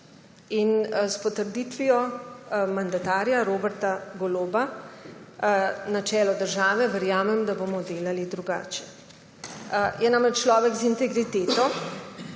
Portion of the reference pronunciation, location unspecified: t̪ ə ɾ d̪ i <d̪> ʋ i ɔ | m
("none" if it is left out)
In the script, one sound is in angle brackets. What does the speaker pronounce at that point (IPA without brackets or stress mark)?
t̪